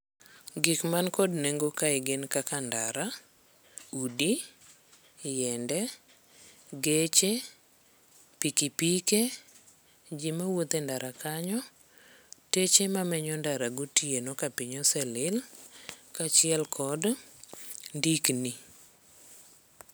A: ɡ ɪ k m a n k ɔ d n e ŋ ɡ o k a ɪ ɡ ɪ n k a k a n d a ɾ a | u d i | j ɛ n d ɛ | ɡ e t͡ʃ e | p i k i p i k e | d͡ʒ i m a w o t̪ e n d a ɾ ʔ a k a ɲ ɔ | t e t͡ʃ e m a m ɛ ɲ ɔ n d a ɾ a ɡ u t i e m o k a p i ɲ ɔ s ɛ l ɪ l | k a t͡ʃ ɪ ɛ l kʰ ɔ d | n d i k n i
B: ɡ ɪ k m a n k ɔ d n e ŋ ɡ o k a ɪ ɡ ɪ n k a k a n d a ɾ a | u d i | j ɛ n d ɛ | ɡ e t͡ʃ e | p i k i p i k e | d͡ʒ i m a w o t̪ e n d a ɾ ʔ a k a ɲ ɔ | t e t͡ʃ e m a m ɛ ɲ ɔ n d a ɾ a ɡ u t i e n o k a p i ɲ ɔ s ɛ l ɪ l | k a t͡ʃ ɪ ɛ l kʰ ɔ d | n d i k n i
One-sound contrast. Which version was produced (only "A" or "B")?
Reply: B